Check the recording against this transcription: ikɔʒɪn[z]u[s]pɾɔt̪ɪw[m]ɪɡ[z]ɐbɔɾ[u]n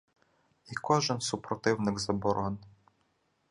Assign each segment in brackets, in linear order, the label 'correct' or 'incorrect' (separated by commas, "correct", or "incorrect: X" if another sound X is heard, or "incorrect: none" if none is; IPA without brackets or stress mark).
incorrect: s, incorrect: none, incorrect: n, correct, incorrect: ɔ